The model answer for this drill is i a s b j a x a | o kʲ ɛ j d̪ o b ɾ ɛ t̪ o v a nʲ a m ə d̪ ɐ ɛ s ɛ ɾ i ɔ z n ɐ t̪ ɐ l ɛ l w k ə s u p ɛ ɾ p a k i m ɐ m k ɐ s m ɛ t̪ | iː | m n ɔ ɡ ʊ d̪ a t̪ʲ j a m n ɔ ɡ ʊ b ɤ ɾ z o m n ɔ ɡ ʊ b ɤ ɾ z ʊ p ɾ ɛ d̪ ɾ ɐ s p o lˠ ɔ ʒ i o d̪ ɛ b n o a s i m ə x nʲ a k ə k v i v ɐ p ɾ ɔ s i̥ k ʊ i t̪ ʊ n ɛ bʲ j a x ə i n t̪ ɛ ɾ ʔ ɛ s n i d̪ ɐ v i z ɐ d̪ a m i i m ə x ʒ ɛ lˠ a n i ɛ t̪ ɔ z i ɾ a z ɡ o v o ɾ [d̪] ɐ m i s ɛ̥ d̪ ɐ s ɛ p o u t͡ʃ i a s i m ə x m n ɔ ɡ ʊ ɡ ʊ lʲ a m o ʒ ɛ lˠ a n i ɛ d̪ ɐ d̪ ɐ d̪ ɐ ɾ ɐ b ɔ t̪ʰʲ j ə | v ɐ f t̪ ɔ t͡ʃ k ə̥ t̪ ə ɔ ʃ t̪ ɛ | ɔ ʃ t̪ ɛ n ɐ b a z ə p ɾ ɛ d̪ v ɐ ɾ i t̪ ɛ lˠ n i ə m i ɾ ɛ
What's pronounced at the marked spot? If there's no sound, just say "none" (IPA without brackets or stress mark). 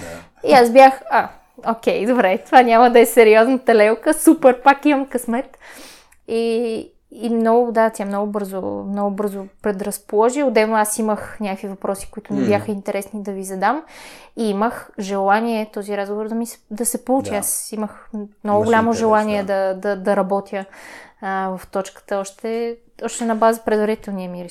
d̪